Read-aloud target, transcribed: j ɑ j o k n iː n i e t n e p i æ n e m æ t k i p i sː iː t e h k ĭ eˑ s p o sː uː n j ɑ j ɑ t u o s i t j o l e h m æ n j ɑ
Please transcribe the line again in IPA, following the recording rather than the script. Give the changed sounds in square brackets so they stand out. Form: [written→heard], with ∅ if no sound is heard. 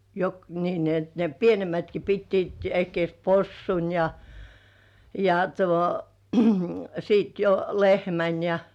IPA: j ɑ j o k n iː n i e t n e p i [æ→e] n e m æ t k i p i [sː→tː] iː t e h k ĭ eˑ s p o sː [uː→u] n j ɑ j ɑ t u o s i t j o l e h m æ n j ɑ